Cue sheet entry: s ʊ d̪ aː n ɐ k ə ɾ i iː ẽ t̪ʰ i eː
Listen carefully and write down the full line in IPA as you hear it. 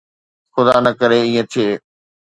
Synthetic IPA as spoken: x ʊ d̪ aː n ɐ k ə ɾ e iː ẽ t̪ʰ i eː